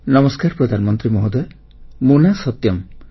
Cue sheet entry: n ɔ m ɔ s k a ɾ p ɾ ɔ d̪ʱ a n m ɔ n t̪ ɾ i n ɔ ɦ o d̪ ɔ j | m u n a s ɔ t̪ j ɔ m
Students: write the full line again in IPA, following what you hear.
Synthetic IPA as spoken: n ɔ m ɔ s k a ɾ p ɾ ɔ d̪ʱ a n m ɔ n t̪ ɾ i m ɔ ɦ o d̪ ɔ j | m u n a s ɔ t̪ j ɔ m